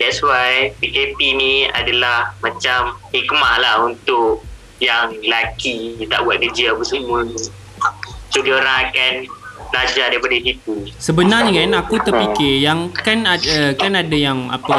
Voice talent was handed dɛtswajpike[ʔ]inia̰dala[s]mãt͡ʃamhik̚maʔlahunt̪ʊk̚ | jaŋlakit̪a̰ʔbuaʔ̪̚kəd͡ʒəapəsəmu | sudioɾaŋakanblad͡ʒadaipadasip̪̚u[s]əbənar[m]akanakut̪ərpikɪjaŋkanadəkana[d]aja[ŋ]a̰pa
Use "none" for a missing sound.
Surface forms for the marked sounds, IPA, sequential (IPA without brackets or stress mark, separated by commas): p, h, s, ɲ, d, ŋ